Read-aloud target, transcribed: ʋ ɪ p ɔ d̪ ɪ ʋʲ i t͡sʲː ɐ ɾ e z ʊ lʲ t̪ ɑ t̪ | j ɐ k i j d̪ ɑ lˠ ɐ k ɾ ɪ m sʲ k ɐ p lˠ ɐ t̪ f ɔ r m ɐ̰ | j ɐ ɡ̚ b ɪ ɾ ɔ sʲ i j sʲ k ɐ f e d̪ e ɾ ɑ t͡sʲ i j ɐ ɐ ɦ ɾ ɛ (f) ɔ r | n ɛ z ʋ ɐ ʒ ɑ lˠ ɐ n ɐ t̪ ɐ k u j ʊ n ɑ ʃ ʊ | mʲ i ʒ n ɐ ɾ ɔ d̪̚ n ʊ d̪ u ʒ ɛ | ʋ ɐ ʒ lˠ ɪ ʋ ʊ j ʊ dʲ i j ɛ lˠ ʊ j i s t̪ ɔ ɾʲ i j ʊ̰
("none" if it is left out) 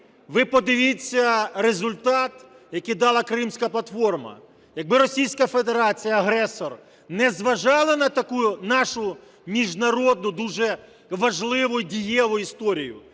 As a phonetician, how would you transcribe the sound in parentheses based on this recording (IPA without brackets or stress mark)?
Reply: s